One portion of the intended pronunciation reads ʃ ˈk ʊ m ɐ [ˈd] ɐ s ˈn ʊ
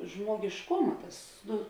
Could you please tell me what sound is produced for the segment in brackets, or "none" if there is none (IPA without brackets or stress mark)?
t